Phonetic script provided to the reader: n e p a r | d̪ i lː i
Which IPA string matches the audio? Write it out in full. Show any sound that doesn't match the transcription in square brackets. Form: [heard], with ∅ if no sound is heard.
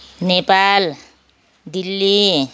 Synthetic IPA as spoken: n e p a [l] | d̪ i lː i